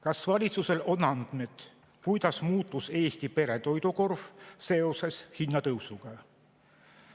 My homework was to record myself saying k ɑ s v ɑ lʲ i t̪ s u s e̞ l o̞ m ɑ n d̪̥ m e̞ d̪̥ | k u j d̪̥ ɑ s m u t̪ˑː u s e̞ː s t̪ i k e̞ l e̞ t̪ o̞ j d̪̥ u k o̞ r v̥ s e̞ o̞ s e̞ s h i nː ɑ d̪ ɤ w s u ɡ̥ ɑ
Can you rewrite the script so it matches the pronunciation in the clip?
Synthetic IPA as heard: k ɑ s v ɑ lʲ i t̪ s u s e̞ l o̞ n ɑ n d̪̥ m e̞ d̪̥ | k u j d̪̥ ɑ s m uː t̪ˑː u s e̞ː s t̪ i p e̞ ɾ e̞ t̪ o̞ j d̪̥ u k o̞ r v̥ s e̞ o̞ s e̞ s h i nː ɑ t̪ ɤ w s u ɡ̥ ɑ